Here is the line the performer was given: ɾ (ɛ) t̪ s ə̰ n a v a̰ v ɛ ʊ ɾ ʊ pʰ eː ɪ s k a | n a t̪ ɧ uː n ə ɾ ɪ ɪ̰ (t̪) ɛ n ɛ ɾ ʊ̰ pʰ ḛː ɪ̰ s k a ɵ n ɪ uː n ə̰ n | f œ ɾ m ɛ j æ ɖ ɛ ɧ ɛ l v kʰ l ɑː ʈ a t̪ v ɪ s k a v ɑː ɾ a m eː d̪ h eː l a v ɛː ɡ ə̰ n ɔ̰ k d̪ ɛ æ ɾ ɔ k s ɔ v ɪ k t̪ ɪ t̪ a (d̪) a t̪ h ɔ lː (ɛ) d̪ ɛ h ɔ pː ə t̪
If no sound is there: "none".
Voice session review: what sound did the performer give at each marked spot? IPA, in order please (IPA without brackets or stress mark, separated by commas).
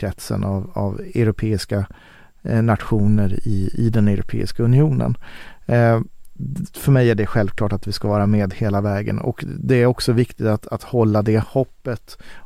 ɛ, d̪, t̪, a